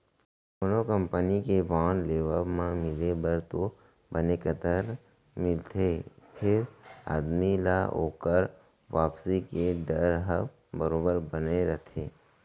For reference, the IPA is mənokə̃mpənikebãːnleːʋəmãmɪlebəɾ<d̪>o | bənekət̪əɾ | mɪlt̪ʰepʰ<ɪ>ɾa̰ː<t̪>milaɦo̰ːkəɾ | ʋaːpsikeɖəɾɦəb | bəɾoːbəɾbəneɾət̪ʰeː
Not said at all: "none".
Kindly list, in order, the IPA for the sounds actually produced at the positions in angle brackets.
t̪, ɪ, d̪

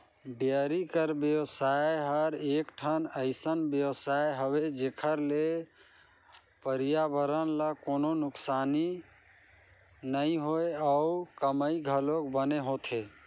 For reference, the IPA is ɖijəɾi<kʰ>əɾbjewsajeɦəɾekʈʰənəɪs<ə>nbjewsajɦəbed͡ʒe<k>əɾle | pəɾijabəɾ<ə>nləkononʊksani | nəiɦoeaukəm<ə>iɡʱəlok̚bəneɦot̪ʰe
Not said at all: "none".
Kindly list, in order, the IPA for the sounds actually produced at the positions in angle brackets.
k, ə, kʰ, ə, ə

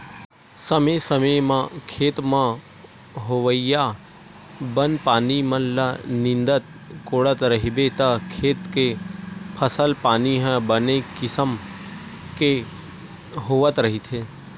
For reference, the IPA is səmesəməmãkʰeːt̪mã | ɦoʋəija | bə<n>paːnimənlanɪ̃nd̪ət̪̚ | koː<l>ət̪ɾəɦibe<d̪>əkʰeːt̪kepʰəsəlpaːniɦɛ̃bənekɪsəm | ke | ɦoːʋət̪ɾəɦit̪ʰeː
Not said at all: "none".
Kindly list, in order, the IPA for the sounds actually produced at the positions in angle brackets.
n, ɽ, t̪

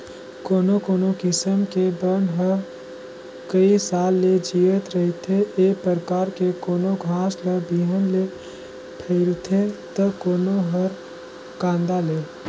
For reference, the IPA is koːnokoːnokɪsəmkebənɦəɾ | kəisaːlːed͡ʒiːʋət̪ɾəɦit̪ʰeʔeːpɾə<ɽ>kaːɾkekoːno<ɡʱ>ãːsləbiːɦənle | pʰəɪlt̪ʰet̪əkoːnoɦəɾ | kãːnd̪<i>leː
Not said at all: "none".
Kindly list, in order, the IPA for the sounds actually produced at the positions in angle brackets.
ɾ, ɡʱ, a

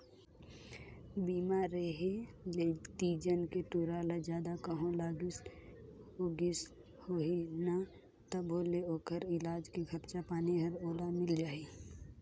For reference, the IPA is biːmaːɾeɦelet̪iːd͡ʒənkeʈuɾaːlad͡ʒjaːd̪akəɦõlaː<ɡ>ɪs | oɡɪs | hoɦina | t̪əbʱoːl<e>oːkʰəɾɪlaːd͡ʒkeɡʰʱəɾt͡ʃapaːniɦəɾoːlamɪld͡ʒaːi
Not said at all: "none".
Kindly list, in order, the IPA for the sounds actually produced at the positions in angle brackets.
ɡ, e

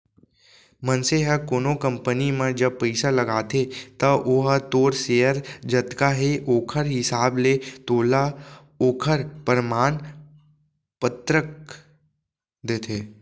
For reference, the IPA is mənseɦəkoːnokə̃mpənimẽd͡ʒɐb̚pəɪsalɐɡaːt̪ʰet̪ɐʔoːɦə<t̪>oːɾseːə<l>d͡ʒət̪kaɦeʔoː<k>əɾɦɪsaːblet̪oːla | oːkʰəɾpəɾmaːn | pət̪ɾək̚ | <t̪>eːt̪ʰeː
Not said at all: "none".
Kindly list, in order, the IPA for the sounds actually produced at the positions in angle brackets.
t̪, ɾ, kʰ, d̪

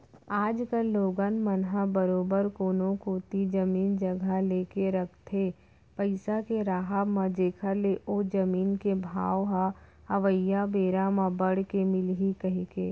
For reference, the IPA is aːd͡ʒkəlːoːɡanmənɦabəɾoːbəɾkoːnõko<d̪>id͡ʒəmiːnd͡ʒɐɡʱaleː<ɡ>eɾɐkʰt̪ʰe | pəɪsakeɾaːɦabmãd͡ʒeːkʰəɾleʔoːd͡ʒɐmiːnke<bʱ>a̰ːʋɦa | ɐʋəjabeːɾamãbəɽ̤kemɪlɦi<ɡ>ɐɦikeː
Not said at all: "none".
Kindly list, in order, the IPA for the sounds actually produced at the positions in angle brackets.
t̪, k, bʱ, k

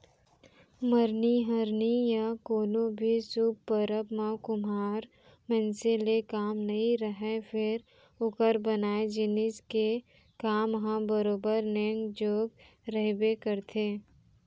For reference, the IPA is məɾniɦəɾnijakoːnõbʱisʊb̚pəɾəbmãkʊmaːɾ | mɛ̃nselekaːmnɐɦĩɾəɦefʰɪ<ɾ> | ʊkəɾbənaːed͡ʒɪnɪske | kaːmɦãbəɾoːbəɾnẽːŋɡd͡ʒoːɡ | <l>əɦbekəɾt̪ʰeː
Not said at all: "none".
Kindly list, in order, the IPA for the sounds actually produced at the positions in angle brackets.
ɾ, ɾ

